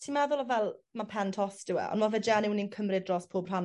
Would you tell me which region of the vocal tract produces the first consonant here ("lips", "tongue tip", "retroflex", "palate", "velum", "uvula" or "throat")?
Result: tongue tip